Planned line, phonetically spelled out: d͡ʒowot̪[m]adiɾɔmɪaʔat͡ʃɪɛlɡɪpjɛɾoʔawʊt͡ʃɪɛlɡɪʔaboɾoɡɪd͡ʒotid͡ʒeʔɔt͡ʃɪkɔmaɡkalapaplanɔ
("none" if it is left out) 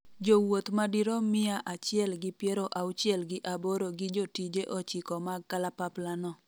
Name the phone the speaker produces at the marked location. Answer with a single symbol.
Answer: m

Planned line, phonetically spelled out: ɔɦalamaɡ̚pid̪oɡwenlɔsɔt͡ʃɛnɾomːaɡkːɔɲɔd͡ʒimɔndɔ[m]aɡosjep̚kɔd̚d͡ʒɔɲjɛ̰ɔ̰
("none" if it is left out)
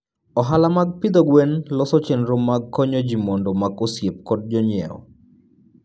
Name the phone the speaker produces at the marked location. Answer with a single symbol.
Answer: m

